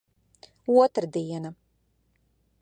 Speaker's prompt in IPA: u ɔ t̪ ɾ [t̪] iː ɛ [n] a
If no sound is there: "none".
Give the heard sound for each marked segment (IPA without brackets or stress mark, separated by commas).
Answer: d̪, n